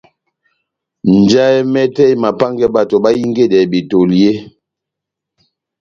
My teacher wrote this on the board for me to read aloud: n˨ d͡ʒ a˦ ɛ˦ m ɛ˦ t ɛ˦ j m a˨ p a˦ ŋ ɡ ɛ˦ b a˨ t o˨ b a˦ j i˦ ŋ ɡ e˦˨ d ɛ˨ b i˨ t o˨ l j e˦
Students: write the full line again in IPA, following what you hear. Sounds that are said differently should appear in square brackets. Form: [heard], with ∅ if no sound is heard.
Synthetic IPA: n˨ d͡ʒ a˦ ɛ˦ m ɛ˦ t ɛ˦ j m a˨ p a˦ ŋ ɡ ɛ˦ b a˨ t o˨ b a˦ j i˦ ŋ ɡ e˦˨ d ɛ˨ b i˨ t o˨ l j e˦

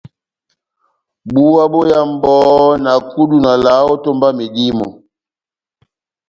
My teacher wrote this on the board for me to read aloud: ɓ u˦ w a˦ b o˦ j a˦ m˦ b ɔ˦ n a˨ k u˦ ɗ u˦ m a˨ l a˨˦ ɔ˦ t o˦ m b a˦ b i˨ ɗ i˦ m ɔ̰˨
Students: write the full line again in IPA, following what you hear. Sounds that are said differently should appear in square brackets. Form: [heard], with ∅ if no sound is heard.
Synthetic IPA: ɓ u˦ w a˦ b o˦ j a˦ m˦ b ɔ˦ n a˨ k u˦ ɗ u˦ [n] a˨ l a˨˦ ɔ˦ t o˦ m b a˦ [m] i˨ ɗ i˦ m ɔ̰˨

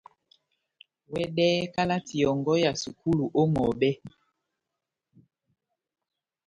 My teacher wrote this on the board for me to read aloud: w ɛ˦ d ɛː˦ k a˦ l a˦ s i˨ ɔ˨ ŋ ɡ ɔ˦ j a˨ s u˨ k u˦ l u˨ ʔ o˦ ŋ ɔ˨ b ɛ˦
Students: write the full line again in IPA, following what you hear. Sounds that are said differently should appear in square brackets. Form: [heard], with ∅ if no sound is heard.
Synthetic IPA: w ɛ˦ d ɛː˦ k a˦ l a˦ [t] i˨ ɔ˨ ŋ ɡ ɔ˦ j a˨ s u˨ k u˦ l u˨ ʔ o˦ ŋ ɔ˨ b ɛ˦

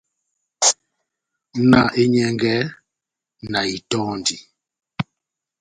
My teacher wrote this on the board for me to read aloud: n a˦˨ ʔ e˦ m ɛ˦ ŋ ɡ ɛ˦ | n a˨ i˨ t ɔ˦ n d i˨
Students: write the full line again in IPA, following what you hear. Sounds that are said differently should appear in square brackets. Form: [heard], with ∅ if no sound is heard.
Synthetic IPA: n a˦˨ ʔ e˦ [ɲ] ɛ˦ ŋ ɡ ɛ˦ | n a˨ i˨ t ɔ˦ n d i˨

